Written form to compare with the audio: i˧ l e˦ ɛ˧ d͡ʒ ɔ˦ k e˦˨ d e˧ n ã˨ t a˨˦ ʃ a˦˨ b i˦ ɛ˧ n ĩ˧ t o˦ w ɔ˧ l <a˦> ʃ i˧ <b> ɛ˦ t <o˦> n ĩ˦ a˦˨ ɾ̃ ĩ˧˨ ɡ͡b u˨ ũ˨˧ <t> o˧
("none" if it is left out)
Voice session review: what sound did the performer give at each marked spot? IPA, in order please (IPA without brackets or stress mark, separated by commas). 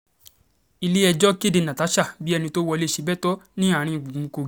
e˦, b, ɔ˦, k